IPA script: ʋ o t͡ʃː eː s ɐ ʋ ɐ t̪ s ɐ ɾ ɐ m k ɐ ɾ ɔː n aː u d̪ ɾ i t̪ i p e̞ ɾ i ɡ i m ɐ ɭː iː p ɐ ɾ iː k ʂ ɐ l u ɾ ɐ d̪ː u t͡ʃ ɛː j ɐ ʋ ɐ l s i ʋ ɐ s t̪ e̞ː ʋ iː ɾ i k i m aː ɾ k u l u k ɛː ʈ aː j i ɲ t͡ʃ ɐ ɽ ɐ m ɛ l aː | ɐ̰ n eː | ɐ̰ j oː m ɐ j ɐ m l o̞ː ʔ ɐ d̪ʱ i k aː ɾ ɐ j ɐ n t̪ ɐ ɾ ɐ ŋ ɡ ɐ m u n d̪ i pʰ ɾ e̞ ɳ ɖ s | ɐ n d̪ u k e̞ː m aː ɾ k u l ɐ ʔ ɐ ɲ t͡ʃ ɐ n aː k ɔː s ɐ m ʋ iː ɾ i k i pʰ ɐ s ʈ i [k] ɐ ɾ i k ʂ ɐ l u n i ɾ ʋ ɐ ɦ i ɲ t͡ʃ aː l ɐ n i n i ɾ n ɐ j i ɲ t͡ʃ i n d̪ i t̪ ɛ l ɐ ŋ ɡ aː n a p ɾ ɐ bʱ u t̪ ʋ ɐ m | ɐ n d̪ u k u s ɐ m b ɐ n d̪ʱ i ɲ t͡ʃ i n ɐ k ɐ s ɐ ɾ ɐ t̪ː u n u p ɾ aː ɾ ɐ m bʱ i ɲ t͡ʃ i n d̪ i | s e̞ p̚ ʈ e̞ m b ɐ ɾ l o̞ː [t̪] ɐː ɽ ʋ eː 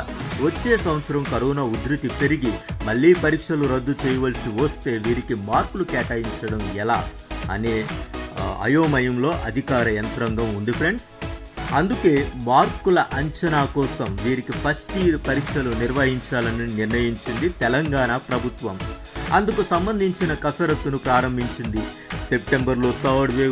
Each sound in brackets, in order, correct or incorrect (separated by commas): incorrect, correct